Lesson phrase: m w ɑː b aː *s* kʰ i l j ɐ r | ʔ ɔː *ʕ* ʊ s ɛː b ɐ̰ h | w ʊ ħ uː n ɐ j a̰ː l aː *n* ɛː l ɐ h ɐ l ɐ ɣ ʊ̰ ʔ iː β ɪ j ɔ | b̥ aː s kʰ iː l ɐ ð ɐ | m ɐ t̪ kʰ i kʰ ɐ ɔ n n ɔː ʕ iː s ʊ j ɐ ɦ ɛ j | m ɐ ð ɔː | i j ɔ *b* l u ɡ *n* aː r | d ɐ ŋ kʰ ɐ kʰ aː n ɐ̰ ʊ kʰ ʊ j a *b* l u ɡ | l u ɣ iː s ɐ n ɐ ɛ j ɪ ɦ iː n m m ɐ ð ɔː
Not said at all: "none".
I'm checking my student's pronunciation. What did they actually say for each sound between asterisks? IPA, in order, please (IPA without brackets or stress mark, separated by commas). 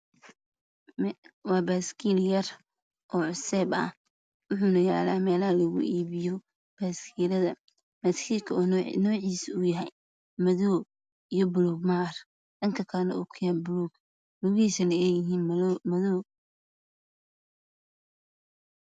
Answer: s, ʕ, m, b, m, b